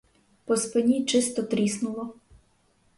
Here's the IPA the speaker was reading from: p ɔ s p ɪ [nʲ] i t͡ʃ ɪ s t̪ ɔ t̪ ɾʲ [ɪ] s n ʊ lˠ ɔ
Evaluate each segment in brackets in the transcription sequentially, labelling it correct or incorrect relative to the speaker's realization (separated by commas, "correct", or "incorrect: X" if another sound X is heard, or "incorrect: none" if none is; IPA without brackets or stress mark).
correct, incorrect: i